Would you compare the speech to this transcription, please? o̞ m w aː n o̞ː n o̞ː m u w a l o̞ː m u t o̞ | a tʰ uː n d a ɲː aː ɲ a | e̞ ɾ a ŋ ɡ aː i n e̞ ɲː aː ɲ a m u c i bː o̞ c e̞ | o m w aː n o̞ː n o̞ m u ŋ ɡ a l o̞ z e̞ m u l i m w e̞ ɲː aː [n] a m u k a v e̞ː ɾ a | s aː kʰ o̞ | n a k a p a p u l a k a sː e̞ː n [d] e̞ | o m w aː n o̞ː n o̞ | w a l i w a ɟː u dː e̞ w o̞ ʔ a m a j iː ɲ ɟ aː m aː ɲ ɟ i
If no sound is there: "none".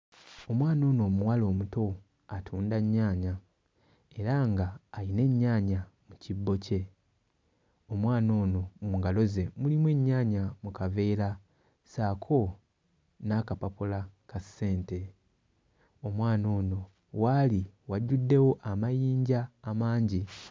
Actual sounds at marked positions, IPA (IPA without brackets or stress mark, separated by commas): ɲ, t